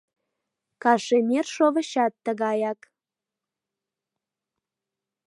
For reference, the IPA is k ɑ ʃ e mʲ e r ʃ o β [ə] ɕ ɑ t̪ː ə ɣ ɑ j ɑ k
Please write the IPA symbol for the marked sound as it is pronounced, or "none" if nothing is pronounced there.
ə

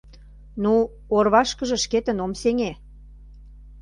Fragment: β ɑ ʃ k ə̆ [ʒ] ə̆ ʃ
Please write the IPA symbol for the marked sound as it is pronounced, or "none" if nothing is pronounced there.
ʒ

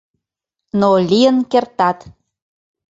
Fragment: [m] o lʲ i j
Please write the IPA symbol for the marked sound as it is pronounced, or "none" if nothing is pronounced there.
n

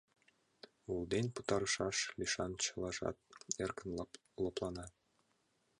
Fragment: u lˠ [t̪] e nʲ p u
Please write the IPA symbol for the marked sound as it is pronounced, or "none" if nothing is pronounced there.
d̪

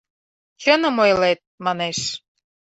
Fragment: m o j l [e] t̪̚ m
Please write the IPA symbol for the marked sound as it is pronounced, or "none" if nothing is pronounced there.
e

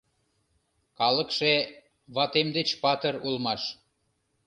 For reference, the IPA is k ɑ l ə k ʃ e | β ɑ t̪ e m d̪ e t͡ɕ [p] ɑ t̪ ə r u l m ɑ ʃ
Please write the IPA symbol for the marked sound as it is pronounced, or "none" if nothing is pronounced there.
p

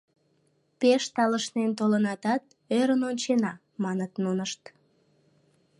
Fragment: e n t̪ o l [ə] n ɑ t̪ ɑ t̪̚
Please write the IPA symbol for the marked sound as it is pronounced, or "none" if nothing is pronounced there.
ə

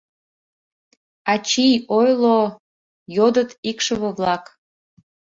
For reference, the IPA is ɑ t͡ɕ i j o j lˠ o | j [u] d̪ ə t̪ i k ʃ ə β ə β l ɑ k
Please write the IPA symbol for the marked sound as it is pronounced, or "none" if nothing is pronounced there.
o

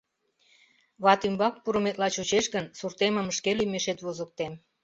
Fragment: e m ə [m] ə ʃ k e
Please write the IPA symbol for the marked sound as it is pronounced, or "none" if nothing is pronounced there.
m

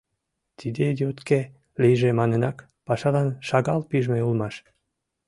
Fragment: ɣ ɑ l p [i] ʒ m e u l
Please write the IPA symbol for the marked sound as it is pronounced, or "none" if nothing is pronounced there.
i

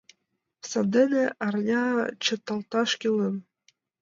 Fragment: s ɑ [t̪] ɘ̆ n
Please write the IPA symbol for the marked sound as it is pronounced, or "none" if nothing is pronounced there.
d̪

